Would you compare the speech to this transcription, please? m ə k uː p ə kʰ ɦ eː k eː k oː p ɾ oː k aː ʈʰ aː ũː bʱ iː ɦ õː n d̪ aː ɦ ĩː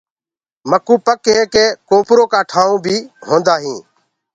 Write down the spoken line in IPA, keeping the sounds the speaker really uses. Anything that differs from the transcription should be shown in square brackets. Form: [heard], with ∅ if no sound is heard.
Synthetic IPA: m ə k uː p ə [k] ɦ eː k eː k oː p ɾ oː k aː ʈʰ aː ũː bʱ iː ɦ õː n d̪ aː ɦ ĩː